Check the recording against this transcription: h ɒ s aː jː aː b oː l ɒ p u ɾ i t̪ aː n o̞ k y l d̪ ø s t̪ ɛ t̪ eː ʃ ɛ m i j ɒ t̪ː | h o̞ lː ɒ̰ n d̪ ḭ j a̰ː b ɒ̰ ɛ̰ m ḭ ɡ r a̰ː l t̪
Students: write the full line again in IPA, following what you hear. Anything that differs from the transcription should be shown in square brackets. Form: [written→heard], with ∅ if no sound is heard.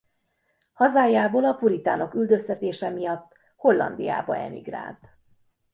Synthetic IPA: h ɒ [s→z] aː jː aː b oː l ɒ p u ɾ i t̪ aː n o̞ k y l d̪ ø s t̪ ɛ t̪ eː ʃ ɛ m i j ɒ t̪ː | h o̞ lː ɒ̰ n d̪ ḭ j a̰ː b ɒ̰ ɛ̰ m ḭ ɡ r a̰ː l t̪

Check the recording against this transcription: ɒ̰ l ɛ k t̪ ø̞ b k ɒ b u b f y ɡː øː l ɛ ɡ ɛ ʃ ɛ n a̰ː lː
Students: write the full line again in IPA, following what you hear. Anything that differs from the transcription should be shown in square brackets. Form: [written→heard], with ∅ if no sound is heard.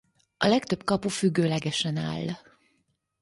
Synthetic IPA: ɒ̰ l ɛ k t̪ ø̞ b k ɒ [b→p] u [b→∅] f y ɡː øː l ɛ ɡ ɛ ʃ ɛ n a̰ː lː

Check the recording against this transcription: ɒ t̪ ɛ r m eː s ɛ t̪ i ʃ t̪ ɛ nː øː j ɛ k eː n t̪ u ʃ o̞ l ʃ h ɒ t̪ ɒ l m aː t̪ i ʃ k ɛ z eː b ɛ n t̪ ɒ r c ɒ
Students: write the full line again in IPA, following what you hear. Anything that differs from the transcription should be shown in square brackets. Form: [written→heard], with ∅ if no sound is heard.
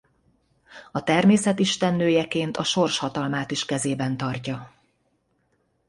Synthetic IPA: ɒ t̪ ɛ r m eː s ɛ t̪ i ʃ t̪ ɛ nː øː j ɛ k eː n t̪ [u→ɒ] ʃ o̞ [l→r] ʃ h ɒ t̪ ɒ l m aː t̪ i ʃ k ɛ z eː b ɛ n t̪ ɒ r c ɒ

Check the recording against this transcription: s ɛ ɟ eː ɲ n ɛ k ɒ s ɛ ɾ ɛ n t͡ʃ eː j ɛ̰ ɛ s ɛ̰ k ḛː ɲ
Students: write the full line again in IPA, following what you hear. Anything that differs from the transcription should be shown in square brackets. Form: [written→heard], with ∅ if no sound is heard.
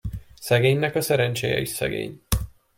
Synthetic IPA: s ɛ [ɟ→ɡ] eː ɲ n ɛ k ɒ s ɛ ɾ ɛ n t͡ʃ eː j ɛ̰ [ɛ→i] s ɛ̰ [k→ɡ] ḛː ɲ

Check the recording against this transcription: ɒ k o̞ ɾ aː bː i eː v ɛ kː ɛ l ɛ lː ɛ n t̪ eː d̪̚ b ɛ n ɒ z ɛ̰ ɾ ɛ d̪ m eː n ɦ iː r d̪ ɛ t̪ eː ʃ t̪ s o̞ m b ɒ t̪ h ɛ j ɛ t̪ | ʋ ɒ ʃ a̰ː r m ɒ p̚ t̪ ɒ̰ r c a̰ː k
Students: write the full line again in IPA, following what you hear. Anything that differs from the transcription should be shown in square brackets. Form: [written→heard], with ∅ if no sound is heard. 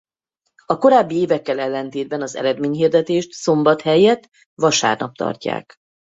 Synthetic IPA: ɒ k o̞ ɾ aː bː i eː v ɛ kː ɛ l ɛ lː ɛ n t̪ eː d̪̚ b ɛ n ɒ z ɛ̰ ɾ ɛ d̪ m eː [n→ɲ] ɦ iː r d̪ ɛ t̪ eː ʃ t̪ s o̞ m b ɒ t̪ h ɛ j ɛ t̪ | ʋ ɒ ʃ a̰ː r [m→n] ɒ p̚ t̪ ɒ̰ r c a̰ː k

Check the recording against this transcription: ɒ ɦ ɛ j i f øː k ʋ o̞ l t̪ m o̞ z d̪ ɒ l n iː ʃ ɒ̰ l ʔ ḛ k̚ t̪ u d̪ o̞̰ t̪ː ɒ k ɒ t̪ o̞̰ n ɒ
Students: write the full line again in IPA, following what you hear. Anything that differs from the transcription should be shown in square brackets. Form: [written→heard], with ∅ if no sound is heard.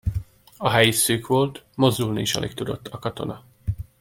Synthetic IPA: ɒ ɦ ɛ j i [f→s] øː k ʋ o̞ l t̪ m o̞ z d̪ [ɒ→u] l n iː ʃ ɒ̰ l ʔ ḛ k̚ t̪ u d̪ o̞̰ t̪ː ɒ k ɒ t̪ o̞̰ n ɒ

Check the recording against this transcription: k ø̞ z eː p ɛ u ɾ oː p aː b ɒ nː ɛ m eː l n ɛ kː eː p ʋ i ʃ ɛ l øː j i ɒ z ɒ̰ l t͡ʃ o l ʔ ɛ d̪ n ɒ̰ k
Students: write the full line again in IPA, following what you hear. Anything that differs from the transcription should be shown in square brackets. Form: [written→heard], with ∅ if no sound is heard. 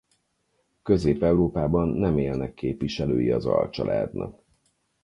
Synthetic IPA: k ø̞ z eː p ɛ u ɾ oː p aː b ɒ nː ɛ m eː l n ɛ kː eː p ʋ i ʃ ɛ l øː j i ɒ z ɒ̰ l t͡ʃ [o→ɒ] l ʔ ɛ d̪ n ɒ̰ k

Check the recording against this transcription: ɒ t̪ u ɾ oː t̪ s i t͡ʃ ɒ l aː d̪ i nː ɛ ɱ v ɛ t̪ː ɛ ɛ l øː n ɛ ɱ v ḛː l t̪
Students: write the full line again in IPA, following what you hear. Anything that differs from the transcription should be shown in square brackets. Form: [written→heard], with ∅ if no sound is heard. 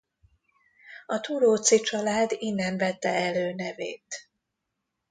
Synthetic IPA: ɒ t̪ u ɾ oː t̪ s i t͡ʃ ɒ l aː d̪ i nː ɛ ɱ v ɛ t̪ː ɛ ɛ l øː n ɛ [ɱ→∅] v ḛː [l→∅] t̪

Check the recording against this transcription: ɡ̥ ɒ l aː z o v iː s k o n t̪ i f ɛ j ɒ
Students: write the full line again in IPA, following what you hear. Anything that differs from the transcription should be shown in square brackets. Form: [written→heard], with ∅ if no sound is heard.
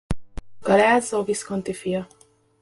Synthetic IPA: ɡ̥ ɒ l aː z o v [iː→i] s k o n t̪ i f [ɛ→i] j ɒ

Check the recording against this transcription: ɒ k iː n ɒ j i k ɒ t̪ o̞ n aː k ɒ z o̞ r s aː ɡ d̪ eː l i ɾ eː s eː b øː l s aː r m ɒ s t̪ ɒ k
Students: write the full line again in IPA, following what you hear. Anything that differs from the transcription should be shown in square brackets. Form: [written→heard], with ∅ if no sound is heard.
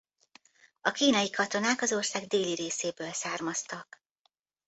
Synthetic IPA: ɒ k iː n ɒ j i k ɒ t̪ o̞ n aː k ɒ z o̞ r s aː ɡ d̪ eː l i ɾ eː s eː b øː l s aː r m ɒ s t̪ ɒ k

